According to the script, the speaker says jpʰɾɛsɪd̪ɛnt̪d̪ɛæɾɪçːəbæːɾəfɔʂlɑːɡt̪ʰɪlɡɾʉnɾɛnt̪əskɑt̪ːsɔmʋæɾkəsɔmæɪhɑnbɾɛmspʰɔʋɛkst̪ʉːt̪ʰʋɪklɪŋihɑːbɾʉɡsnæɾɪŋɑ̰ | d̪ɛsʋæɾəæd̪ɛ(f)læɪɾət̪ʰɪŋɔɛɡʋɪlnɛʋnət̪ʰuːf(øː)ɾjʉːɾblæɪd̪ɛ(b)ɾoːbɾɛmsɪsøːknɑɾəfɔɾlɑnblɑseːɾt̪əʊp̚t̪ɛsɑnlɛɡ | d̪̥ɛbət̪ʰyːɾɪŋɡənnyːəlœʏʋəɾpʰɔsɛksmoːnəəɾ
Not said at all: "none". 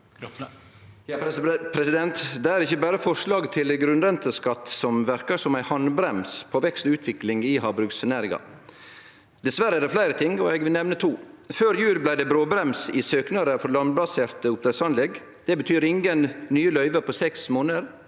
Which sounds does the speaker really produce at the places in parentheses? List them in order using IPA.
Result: f, øː, b

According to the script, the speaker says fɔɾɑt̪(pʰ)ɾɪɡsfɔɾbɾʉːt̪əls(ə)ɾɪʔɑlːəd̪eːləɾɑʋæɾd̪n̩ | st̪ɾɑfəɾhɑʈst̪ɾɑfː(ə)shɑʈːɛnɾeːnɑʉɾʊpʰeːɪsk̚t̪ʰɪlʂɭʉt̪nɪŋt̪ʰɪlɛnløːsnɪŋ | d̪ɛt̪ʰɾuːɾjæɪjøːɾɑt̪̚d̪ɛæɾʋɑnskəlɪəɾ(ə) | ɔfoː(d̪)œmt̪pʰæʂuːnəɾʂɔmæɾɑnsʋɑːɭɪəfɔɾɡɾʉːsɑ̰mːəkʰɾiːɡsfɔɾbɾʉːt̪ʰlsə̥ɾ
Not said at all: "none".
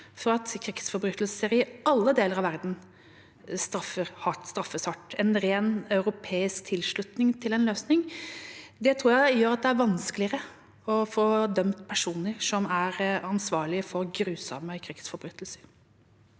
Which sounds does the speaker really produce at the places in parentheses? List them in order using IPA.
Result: kʰ, ə, ə, ə, d̪

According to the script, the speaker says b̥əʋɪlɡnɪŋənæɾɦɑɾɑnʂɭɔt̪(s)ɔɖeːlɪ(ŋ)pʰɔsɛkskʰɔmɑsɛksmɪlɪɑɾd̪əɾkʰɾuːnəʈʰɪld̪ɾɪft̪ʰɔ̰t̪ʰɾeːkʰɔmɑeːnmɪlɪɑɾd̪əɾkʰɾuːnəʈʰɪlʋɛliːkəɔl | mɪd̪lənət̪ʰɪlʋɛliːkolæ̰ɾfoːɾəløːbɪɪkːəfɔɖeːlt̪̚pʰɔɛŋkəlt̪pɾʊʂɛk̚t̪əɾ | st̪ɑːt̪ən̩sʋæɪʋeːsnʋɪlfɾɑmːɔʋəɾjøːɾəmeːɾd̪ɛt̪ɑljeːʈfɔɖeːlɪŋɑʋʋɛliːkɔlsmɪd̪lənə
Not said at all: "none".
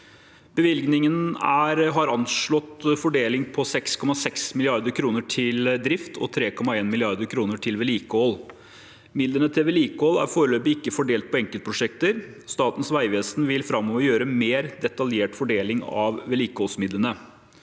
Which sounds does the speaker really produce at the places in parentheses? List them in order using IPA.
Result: f, ŋ

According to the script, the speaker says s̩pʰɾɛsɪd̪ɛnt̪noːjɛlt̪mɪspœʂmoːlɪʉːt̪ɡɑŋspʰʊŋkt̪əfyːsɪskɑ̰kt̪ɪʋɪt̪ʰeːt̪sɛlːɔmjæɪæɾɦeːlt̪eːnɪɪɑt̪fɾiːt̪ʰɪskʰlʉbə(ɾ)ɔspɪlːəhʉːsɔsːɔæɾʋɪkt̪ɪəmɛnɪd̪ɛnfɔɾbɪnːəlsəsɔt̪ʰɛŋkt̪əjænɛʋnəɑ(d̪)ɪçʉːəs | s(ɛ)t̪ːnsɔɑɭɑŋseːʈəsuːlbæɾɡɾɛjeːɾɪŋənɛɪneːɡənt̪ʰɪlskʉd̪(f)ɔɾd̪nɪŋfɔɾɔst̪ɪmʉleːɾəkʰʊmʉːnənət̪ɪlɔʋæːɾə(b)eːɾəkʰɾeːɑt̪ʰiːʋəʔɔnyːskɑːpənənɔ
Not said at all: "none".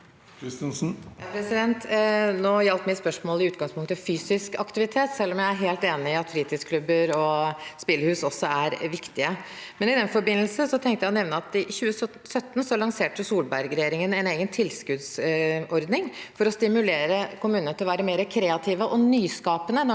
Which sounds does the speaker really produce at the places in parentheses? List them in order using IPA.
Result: ɾ, t̪, œ, s, m

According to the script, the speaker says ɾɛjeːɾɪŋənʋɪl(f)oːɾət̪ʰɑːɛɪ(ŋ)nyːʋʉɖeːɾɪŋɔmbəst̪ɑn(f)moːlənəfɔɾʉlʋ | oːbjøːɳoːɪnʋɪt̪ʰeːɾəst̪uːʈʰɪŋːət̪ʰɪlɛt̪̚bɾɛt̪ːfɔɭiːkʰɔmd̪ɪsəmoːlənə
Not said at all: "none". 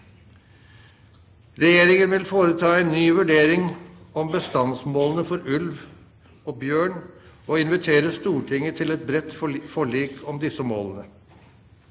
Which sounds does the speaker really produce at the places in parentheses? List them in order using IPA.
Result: f, n, s

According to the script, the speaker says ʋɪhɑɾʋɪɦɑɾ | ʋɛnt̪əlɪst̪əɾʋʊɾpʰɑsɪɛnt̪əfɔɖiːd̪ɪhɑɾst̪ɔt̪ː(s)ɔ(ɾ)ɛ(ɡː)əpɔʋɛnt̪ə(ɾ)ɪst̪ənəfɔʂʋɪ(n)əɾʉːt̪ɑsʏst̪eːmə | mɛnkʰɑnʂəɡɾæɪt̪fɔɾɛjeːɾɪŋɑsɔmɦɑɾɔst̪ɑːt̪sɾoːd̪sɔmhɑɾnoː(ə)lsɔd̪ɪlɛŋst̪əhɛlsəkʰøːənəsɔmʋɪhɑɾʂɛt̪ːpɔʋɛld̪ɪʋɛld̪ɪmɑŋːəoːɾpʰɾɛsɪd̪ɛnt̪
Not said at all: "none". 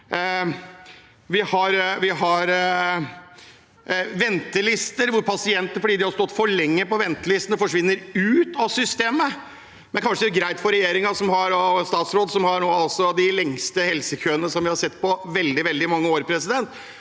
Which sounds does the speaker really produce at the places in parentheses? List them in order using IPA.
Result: f, ɭ, ŋː, l, nː, ɑ

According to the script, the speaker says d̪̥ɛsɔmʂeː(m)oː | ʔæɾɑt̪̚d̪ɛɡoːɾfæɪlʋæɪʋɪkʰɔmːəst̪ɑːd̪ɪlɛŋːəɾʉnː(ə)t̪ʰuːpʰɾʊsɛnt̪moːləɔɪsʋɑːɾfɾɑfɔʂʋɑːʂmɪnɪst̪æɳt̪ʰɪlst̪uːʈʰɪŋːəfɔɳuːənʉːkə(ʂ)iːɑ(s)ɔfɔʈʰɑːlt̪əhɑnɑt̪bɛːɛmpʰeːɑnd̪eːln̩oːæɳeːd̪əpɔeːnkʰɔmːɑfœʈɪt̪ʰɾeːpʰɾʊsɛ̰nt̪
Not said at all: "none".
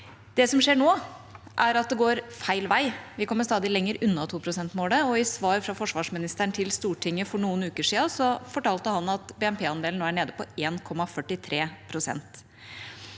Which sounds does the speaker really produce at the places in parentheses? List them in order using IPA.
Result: ɳ, ɑ, ʂ, s

